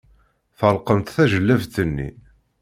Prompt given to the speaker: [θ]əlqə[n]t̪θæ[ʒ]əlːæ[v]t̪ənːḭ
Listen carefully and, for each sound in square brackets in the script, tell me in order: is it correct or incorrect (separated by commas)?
correct, incorrect, correct, correct